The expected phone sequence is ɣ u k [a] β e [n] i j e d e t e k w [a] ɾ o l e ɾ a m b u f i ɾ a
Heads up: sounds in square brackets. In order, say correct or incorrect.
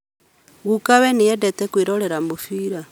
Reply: correct, correct, incorrect

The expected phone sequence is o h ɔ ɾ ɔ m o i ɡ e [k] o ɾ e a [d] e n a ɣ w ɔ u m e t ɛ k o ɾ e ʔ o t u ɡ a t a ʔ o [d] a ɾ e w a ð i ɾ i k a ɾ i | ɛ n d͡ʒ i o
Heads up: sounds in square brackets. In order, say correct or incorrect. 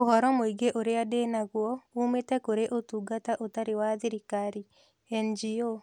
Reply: incorrect, correct, incorrect

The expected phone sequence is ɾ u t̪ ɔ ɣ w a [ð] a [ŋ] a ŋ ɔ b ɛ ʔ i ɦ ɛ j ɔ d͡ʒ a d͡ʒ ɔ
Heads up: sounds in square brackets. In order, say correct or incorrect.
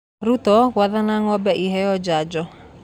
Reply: correct, incorrect

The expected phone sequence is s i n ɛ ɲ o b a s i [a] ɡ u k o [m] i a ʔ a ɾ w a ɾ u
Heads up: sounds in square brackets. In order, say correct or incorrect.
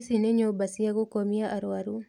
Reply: correct, correct

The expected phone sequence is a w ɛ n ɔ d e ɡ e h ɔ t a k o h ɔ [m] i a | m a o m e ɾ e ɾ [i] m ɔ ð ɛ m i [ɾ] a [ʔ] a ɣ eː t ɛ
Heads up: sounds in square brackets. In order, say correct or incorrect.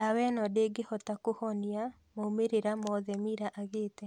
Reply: incorrect, incorrect, correct, correct

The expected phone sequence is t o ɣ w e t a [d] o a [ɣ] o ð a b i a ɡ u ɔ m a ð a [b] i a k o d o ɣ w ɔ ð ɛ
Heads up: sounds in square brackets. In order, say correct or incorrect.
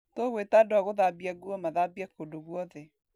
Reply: correct, correct, correct

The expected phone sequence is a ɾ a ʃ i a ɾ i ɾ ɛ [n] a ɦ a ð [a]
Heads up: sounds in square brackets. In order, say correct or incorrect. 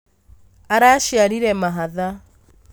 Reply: incorrect, correct

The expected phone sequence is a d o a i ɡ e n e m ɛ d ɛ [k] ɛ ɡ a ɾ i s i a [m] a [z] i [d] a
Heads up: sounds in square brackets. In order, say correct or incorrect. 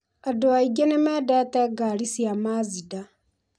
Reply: incorrect, correct, correct, correct

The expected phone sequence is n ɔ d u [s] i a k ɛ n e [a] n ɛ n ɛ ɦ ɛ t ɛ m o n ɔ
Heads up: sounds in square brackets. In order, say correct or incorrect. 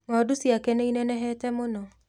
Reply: correct, incorrect

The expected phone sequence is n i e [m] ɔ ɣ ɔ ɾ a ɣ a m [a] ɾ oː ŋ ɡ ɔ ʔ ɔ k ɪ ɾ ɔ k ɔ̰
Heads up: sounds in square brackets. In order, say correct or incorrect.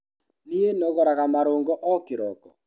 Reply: incorrect, correct

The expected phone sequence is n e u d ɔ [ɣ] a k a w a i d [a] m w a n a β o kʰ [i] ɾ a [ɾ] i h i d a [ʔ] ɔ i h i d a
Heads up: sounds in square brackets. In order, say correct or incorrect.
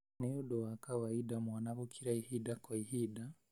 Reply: incorrect, correct, correct, incorrect, incorrect

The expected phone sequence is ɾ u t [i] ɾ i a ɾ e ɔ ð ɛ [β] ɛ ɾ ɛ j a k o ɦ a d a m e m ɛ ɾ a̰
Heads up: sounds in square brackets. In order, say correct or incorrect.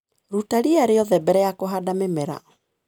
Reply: incorrect, incorrect

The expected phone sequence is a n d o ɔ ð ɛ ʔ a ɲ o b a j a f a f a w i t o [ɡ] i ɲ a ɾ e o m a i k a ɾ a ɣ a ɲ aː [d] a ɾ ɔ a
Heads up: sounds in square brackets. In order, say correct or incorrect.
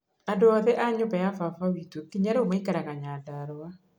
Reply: incorrect, correct

